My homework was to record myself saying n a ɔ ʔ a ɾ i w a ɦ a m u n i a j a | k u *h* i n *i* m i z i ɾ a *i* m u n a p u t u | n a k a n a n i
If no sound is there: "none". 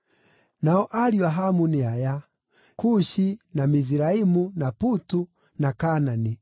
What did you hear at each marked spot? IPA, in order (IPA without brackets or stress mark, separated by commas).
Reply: ʃ, a, i